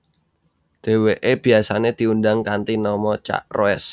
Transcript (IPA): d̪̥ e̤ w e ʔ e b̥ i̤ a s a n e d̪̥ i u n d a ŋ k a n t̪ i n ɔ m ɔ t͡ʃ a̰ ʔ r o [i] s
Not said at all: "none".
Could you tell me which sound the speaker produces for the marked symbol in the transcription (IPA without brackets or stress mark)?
ɛ